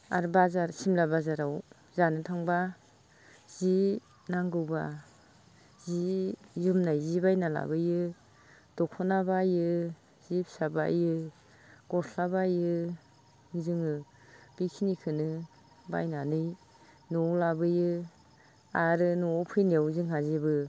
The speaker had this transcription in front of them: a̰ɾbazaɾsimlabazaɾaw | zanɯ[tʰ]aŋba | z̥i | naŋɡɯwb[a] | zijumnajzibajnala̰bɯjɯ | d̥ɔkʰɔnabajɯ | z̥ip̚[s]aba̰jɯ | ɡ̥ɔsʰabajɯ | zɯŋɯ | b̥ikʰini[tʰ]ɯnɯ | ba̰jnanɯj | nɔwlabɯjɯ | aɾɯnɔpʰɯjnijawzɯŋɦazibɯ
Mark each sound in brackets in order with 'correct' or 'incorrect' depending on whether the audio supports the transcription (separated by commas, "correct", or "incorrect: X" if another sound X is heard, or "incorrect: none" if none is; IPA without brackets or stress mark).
correct, correct, correct, incorrect: kʰ